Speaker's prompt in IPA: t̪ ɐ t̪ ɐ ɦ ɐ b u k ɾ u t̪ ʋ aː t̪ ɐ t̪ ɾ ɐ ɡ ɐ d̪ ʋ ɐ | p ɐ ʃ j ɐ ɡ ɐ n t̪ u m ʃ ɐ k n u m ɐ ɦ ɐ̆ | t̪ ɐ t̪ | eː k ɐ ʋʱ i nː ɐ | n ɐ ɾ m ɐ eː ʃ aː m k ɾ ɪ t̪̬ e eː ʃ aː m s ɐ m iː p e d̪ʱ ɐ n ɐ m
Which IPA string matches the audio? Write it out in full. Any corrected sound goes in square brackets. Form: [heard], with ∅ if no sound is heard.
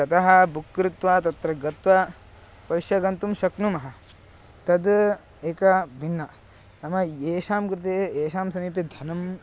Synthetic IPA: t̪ ɐ t̪ ɐ ɦ ɐ b u k ɾ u t̪ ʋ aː t̪ ɐ t̪ ɾ ɐ ɡ ɐ [t̪] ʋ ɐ | p ɐ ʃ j ɐ ɡ ɐ n t̪ u m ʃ ɐ k n u m ɐ ɦ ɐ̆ | t̪ ɐ [d̪] | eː k ɐ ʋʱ i nː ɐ | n ɐ [∅] m ɐ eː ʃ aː m k ɾ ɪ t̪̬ e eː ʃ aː m s ɐ m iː p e d̪ʱ ɐ n ɐ m